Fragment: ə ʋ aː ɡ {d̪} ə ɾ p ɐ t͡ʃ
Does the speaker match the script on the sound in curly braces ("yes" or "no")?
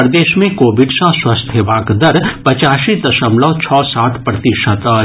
yes